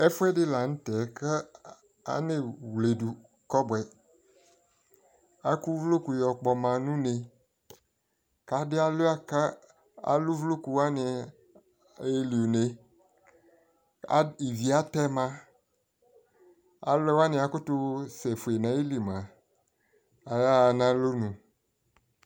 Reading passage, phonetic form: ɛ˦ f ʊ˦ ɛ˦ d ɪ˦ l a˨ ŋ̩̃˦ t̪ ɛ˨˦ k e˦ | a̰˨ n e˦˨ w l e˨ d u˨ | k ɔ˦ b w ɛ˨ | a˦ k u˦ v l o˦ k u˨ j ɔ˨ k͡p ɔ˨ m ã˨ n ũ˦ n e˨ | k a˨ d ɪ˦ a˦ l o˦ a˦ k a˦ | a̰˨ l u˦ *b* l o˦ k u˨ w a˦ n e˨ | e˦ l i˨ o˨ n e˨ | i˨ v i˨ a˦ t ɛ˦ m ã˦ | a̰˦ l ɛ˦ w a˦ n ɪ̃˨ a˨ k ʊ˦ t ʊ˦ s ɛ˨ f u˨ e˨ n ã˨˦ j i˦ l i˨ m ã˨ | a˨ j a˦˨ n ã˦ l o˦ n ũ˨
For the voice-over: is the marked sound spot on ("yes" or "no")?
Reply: no